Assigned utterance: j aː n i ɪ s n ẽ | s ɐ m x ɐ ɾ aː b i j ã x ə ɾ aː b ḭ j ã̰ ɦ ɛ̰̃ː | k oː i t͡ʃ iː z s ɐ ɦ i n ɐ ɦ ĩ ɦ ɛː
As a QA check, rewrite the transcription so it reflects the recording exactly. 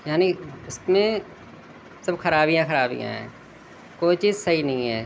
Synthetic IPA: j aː n i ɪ s m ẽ | s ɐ b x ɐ ɾ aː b i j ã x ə ɾ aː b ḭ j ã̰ ɦ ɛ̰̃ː | k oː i t͡ʃ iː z s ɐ ɦ i n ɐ ɦ ĩ ɦ ɛː